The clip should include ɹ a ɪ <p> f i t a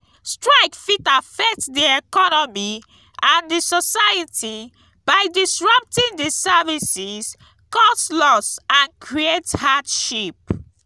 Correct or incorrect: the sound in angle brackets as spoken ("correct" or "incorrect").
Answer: incorrect